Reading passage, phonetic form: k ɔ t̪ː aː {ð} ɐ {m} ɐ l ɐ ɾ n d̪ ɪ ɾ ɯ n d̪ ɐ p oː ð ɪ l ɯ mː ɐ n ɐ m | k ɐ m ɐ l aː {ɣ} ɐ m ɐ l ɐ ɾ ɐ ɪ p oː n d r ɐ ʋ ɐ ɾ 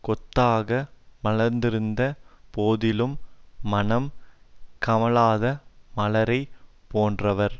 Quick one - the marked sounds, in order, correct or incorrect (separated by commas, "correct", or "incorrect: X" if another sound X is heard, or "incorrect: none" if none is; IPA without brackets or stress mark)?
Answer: incorrect: ɣ, correct, incorrect: ð